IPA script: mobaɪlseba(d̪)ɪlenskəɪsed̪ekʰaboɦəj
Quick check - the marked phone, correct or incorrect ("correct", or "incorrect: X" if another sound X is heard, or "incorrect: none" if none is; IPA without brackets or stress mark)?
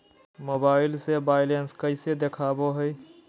incorrect: none